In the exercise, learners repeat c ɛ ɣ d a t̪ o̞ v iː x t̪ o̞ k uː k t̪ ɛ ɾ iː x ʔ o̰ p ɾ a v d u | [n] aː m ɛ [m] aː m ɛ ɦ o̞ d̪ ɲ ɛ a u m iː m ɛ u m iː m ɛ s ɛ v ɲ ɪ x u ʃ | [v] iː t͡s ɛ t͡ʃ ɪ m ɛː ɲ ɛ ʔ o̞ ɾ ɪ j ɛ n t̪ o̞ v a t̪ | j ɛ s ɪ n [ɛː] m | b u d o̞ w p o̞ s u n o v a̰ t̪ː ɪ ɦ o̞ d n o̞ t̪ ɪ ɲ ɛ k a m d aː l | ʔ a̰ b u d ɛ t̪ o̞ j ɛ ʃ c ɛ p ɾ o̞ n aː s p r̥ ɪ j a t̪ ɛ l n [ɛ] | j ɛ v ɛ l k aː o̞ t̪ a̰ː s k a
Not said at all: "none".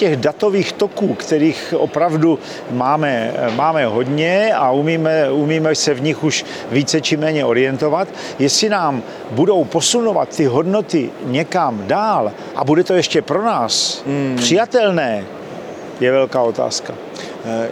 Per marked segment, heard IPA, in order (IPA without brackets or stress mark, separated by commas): m, m, v, aː, ɛː